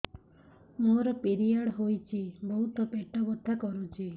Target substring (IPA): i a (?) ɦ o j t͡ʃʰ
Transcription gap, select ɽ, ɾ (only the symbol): ɽ